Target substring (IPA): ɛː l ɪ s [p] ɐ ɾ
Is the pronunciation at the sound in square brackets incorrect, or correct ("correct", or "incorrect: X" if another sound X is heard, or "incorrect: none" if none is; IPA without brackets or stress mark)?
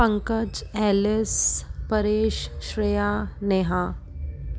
correct